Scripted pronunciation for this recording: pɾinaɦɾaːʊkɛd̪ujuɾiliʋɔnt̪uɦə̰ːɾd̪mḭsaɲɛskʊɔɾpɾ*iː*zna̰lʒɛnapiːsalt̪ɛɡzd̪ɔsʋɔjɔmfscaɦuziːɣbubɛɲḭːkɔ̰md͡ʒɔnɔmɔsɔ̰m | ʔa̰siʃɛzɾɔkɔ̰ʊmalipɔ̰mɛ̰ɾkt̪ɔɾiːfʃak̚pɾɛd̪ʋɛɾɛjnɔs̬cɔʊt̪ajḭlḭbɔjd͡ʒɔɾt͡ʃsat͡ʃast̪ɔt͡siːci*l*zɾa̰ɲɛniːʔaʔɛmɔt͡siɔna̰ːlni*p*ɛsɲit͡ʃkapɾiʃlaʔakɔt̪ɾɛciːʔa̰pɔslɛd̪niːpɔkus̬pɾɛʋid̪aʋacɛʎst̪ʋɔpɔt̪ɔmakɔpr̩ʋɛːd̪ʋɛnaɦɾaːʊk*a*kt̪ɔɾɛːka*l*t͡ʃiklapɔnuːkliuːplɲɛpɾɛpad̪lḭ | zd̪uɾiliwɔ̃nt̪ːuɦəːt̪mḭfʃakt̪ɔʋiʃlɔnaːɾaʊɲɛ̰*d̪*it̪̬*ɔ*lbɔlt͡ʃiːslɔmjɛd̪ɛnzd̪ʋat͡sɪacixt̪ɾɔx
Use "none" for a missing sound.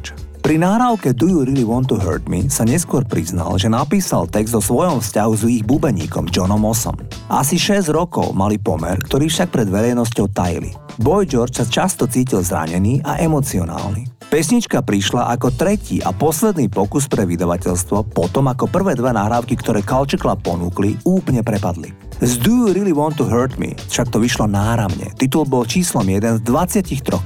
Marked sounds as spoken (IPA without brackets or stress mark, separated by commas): i, l, p, i, l, t̪, u